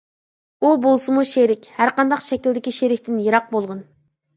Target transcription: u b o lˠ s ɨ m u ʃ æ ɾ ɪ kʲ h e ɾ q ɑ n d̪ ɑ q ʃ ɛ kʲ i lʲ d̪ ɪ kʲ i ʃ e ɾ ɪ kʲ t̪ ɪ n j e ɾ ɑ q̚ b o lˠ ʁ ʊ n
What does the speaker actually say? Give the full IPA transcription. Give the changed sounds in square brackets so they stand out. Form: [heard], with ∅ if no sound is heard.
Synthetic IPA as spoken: u b o lˠ s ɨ m u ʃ [e] ɾ ɪ kʲ h [æ] ɾ q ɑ n d̪ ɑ q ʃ ɛ kʲ i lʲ d̪ ɪ kʲ i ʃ e ɾ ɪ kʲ t̪ ɪ n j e ɾ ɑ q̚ b o lˠ ʁ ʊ n